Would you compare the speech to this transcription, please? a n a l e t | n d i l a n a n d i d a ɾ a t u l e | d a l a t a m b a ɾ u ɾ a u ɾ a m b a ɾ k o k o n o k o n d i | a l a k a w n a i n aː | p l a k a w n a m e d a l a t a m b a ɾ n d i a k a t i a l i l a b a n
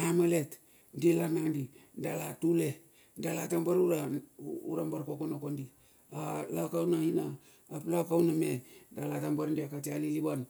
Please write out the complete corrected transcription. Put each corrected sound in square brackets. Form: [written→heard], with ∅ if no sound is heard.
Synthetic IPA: a [n→m] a l e t | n d i l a n a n d i d a [ɾ→l] a t u l e | d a l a t a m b a ɾ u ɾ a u ɾ a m b a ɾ k o k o n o k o n d i | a l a k a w n a i n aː | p l a k a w n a m e d a l a t a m b a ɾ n d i a k a t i a l i l [a→i] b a n